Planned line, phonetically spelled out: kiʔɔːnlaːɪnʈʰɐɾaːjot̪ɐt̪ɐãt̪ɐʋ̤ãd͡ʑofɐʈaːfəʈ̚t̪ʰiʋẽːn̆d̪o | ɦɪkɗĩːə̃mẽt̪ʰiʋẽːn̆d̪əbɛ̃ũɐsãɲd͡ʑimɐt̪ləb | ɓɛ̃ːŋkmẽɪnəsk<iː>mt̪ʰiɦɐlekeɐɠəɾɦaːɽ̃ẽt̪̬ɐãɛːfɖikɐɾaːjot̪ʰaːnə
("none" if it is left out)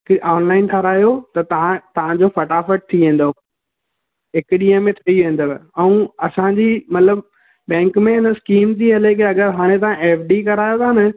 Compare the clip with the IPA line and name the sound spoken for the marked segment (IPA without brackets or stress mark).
iː